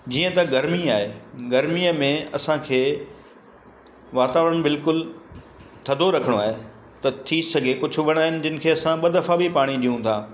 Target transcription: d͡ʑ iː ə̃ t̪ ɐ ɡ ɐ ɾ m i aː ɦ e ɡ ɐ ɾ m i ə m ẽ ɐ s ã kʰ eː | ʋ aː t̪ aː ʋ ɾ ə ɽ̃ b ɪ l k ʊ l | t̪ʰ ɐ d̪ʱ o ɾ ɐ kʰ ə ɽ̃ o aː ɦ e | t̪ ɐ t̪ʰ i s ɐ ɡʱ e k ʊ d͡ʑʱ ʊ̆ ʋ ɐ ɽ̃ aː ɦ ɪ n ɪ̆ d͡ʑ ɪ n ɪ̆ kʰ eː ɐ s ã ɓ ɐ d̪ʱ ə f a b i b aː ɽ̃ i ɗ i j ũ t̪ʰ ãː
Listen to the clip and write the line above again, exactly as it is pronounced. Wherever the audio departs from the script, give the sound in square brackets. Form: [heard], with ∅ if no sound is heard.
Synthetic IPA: d͡ʑ iː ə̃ t̪ ɐ ɡ ɐ ɾ m i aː ɦ e ɡ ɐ ɾ m i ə m ẽ ɐ s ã kʰ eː | ʋ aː t̪ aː ʋ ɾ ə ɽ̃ b ɪ l k ʊ l | t̪ʰ ɐ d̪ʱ o ɾ ɐ kʰ ə ɽ̃ o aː ɦ e | t̪ ɐ t̪ʰ i s ɐ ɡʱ e k ʊ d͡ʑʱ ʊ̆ ʋ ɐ ɽ̃ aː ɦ ɪ n ɪ̆ d͡ʑ ɪ n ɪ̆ kʰ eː ɐ s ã ɓ ɐ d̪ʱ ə f a b i [p] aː ɽ̃ i ɗ i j ũ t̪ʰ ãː